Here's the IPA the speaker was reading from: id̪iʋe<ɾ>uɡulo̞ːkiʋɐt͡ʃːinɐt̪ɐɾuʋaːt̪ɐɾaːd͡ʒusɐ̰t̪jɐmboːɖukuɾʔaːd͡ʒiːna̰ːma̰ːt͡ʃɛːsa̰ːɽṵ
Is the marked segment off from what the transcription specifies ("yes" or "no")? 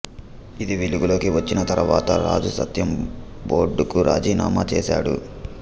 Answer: yes